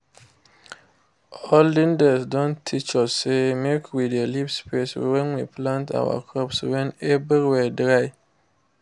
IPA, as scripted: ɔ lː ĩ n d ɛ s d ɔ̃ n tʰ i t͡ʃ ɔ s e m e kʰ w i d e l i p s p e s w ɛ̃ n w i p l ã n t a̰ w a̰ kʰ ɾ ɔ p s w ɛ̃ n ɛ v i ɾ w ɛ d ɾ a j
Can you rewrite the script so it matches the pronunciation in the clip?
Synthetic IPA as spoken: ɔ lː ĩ n d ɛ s d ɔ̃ n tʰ i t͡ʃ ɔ s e m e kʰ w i d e l i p s p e s w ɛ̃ n w i p l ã n t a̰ w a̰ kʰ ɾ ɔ p s w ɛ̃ n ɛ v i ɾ w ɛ d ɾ a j